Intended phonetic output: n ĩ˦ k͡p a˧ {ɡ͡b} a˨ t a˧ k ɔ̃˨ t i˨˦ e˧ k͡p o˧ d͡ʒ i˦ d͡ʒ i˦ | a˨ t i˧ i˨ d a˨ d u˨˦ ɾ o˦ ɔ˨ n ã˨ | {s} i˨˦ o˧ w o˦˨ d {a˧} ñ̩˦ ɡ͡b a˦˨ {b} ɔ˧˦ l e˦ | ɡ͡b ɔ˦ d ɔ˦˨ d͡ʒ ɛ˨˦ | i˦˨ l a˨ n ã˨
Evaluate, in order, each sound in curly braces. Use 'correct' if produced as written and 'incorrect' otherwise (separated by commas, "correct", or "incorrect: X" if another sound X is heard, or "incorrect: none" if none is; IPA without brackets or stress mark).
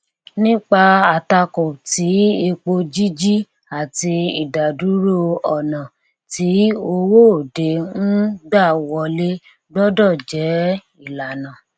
incorrect: none, incorrect: t, incorrect: e˧, incorrect: w